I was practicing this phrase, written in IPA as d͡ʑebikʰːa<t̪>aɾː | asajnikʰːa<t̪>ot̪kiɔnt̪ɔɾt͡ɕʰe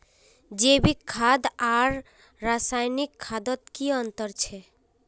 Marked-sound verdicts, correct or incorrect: incorrect, incorrect

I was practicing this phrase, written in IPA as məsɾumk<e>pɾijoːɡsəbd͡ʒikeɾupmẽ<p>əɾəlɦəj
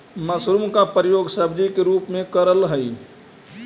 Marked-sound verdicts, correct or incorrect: incorrect, incorrect

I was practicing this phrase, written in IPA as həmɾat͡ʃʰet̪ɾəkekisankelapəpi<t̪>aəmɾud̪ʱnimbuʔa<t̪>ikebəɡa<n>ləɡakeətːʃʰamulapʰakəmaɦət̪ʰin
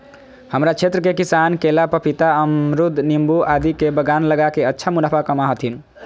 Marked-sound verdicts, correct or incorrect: correct, incorrect, correct

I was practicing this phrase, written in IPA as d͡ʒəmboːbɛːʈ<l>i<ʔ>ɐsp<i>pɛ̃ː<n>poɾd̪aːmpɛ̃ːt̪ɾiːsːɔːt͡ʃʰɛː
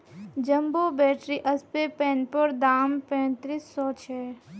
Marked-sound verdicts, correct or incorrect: incorrect, correct, incorrect, correct

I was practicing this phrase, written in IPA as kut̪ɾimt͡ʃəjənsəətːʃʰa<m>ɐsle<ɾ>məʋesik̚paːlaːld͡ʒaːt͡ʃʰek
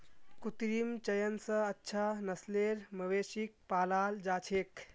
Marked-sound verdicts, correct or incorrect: incorrect, correct

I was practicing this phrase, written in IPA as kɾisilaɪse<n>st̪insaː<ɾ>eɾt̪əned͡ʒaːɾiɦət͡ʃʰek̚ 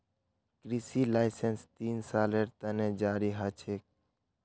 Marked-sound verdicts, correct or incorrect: correct, incorrect

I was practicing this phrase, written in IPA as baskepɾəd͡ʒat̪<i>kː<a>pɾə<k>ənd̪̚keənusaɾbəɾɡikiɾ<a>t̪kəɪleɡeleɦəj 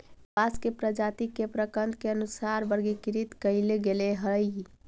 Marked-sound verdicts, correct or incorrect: correct, incorrect, correct, incorrect

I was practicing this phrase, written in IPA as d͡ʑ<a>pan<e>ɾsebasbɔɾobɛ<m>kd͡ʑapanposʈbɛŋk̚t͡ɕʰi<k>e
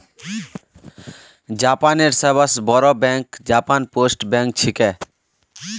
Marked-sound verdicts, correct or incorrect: correct, correct, incorrect, correct

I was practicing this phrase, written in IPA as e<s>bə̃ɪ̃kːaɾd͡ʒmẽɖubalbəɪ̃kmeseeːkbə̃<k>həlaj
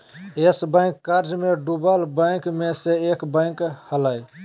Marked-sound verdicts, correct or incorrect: correct, correct

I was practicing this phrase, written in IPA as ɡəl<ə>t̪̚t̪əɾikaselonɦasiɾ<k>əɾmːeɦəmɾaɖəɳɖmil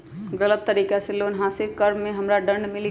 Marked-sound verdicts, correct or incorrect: correct, correct

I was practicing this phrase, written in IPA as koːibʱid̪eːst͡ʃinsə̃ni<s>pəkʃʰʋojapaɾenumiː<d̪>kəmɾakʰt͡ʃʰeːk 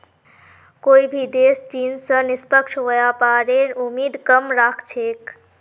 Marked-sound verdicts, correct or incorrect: correct, correct

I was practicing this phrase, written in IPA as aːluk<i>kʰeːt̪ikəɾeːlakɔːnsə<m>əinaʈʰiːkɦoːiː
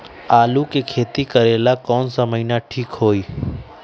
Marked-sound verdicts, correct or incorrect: incorrect, correct

